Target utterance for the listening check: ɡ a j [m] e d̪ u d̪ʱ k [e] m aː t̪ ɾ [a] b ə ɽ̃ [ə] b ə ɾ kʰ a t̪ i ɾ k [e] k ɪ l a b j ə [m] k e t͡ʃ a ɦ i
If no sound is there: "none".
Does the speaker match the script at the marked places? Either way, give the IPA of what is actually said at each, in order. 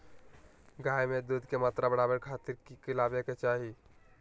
m, e, a, a, i, none

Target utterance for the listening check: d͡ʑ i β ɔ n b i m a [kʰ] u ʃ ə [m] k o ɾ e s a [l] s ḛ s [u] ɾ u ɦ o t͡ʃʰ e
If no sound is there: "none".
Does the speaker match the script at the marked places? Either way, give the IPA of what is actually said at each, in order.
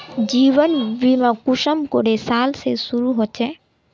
k, m, l, u

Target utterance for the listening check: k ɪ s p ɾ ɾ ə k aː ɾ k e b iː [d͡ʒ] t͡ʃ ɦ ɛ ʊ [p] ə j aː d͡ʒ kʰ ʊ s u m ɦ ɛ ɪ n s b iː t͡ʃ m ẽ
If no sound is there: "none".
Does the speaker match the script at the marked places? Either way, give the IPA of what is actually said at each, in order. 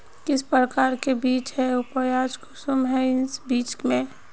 none, p

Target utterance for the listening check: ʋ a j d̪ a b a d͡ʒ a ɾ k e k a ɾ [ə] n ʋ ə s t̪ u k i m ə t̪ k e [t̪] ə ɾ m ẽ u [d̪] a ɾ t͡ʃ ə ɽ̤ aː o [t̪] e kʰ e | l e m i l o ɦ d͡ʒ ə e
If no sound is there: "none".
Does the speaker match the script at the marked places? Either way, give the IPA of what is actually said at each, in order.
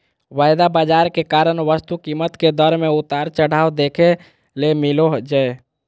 ə, d̪, t̪, d̪

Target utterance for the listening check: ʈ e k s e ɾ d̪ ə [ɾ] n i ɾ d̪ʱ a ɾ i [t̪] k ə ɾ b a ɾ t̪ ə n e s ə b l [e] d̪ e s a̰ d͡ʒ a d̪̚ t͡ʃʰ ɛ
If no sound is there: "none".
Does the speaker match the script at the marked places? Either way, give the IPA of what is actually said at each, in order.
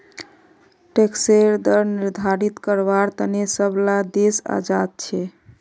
ɾ, t̪, a

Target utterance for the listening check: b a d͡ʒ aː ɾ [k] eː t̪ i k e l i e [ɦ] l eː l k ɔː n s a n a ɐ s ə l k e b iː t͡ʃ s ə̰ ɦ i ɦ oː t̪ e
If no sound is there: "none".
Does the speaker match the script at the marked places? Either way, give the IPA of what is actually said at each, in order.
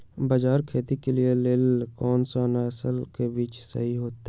kʰ, none

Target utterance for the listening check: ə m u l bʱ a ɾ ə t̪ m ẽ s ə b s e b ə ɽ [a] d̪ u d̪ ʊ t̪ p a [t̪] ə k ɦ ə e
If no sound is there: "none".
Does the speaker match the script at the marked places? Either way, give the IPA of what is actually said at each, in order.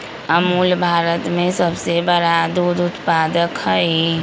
a, d̪

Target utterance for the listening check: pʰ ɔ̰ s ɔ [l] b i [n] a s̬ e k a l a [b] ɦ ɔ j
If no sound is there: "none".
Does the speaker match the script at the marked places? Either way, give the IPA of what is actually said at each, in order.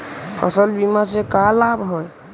l, m, b

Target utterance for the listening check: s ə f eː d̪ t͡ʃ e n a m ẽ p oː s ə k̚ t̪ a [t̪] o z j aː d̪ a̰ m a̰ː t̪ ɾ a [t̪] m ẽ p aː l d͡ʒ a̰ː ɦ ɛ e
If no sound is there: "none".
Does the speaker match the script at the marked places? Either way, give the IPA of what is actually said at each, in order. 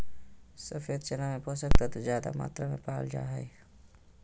t̪, none

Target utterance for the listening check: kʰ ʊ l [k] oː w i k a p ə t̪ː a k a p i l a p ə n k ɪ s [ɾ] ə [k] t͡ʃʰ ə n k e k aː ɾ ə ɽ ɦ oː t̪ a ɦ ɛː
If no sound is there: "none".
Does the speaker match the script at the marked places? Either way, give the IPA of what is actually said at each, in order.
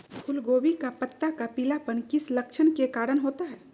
ɡ, l, k

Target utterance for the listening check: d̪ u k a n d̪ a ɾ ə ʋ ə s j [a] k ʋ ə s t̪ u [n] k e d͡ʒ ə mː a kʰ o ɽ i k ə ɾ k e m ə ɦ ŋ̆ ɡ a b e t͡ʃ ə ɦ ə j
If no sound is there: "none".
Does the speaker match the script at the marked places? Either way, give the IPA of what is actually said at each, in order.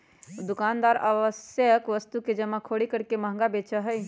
ə, none

